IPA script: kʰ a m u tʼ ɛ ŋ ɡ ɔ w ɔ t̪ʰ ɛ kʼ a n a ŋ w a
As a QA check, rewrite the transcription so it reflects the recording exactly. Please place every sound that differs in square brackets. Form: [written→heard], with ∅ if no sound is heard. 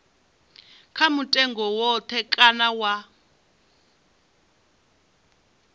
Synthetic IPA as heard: kʰ a m u tʼ ɛ ŋ ɡ ɔ w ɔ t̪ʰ ɛ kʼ a n a [ŋ→∅] w a

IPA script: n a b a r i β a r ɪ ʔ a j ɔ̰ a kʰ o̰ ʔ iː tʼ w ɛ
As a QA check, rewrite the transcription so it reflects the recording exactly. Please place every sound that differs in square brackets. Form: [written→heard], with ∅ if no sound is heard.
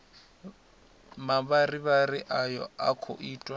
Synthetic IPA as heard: [n→m] a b a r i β a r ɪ ʔ a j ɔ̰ a kʰ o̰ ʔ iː tʼ w [ɛ→a]

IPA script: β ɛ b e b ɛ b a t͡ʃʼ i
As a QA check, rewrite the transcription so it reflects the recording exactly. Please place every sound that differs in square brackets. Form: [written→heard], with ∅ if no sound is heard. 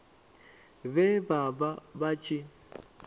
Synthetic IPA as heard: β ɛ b [e→a] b [ɛ→a] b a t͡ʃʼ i

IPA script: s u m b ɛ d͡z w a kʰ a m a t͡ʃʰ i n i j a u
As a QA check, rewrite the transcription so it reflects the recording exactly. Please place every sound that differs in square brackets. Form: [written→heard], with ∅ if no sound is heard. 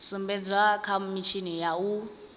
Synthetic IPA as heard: s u m b ɛ d͡z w a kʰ a m [a→i] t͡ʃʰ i n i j a u

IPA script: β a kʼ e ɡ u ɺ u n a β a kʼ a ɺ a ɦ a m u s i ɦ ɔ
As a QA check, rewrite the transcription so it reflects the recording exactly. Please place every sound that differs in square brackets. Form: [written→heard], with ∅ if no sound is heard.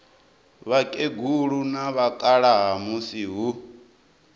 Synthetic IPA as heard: β a kʼ e ɡ u ɺ u n a β a kʼ a ɺ a ɦ a m u s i ɦ [ɔ→u]

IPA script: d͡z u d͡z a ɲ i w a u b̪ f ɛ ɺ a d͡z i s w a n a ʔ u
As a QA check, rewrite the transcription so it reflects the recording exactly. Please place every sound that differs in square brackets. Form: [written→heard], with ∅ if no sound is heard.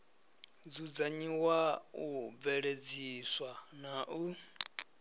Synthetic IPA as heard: d͡z u d͡z a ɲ i w a u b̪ [f→v] ɛ ɺ [a→e] d͡z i s w a n a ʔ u

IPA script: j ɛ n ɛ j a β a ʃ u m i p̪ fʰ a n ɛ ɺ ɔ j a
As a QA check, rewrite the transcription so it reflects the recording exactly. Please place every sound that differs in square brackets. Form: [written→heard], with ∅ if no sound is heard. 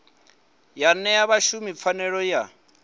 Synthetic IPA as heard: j [ɛ→a] n ɛ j a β a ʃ u m i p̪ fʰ a n ɛ ɺ ɔ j a

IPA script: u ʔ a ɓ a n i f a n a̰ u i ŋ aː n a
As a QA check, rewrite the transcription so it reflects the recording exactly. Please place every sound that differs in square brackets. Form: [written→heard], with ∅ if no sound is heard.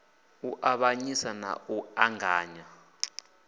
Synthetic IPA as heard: u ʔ a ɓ a [n→ɲ] i [f→s] a n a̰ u [i→a] ŋ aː [n→ɲ] a

